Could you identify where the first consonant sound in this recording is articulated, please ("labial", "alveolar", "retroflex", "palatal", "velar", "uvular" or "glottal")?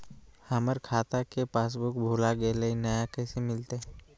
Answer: glottal